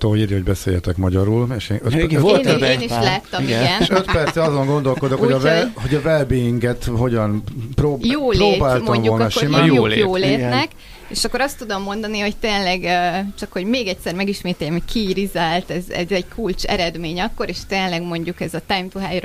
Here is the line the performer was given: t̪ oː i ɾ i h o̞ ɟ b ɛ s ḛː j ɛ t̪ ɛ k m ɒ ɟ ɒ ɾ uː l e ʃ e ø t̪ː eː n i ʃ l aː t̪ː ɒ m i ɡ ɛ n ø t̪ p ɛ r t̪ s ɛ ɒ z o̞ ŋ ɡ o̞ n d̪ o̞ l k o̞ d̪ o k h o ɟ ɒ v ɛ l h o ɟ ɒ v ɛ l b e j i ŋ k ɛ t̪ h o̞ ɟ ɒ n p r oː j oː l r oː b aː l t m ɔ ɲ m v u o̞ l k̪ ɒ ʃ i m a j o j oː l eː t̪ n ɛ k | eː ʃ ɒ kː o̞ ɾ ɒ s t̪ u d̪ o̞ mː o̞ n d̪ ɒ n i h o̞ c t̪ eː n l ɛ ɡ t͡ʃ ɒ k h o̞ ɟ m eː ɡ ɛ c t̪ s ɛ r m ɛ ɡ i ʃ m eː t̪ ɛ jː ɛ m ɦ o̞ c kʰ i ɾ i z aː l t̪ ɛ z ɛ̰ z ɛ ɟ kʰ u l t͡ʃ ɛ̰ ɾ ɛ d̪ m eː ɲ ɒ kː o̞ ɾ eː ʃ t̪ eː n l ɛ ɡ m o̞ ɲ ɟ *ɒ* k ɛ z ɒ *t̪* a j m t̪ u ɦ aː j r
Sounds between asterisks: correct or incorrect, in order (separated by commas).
incorrect, correct